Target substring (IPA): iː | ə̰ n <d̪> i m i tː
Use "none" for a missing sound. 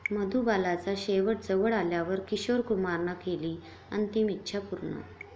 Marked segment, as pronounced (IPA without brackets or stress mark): t̪